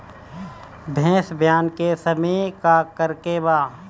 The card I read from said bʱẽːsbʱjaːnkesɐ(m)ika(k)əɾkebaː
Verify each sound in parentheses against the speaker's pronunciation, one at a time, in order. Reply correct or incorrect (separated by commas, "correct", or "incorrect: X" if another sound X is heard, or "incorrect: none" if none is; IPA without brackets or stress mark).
correct, correct